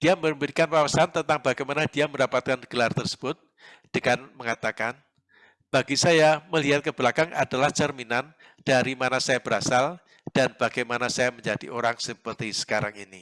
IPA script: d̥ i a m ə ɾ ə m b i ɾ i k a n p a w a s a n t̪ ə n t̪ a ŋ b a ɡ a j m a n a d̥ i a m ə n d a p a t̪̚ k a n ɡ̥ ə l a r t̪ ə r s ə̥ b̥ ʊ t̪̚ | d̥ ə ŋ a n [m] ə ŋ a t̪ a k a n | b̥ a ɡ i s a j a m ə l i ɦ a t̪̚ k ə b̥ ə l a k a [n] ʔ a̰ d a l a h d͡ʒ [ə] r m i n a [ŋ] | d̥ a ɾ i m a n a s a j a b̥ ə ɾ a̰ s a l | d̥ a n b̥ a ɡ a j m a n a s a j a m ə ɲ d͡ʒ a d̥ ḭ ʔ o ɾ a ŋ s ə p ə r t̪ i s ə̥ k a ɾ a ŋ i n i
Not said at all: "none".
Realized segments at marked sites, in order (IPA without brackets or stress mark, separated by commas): m, ŋ, ə, n